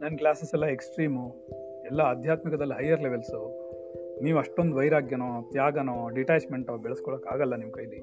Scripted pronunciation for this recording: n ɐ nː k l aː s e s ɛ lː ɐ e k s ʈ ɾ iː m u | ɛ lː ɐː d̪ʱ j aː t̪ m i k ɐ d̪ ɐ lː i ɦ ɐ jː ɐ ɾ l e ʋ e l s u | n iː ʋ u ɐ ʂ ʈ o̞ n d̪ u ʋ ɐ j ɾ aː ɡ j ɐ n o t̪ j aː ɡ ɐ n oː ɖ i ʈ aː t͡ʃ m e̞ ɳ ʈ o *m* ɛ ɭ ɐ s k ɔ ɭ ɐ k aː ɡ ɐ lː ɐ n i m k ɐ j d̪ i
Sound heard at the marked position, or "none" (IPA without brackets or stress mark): b